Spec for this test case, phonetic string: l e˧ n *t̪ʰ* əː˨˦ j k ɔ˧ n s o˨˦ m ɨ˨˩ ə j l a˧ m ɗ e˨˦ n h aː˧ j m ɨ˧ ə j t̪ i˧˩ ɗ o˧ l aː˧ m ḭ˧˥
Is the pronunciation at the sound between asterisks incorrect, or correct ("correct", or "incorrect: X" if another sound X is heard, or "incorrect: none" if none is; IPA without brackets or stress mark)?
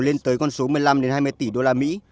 incorrect: t̪